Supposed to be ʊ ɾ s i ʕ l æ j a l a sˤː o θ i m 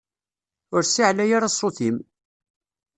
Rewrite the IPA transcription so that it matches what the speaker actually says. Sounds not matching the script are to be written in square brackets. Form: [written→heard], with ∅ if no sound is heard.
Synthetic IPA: ʊ ɾ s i ʕ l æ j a [l→ɾ] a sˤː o θ i m